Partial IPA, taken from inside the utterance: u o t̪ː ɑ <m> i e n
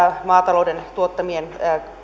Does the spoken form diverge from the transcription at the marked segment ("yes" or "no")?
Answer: no